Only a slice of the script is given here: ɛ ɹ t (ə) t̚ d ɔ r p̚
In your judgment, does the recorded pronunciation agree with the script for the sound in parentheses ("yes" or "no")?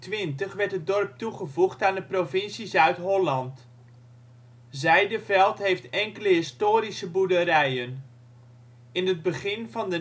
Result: yes